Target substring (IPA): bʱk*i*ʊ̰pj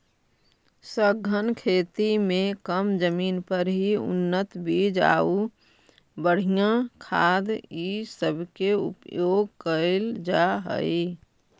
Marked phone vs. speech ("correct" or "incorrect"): incorrect